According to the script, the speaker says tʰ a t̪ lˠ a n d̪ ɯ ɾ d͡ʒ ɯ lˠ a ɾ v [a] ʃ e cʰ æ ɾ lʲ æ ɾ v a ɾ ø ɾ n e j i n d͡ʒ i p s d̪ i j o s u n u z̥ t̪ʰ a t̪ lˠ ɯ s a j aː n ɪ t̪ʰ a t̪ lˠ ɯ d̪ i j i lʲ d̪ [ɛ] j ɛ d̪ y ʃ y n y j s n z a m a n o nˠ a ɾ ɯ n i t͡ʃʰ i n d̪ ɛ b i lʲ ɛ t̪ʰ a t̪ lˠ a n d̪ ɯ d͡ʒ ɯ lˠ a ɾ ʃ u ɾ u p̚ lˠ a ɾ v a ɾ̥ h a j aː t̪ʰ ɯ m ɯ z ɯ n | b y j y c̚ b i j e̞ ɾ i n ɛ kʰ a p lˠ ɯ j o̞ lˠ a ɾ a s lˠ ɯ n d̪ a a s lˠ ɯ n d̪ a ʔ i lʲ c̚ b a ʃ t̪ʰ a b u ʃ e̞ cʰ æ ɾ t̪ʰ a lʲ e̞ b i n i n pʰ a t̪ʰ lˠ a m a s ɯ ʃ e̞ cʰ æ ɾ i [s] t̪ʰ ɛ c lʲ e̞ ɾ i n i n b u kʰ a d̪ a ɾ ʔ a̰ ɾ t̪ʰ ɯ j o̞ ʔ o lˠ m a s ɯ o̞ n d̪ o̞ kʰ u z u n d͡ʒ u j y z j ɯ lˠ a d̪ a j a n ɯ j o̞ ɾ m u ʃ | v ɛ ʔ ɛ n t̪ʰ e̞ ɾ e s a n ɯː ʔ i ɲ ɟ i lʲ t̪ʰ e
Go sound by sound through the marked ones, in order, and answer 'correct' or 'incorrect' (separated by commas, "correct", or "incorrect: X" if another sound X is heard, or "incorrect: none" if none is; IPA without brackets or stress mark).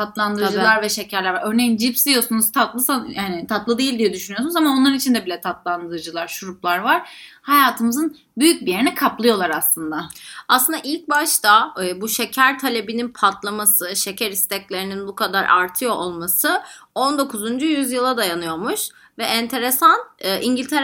incorrect: ɛ, incorrect: i, correct